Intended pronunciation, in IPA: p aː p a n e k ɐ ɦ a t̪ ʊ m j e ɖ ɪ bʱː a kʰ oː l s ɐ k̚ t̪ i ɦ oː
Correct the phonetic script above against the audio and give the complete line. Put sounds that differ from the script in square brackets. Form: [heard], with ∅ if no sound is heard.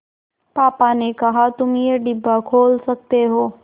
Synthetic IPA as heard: p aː p a n e k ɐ ɦ a t̪ ʊ m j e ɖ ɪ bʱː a kʰ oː l s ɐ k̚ t̪ [e] ɦ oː